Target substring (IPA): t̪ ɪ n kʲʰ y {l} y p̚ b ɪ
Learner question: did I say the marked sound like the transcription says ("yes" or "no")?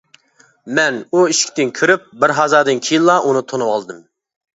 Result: no